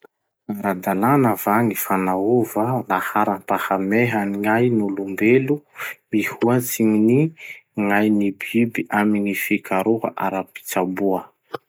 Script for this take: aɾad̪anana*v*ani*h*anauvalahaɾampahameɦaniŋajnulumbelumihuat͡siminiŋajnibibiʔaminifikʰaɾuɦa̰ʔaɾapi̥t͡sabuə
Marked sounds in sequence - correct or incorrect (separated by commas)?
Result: correct, incorrect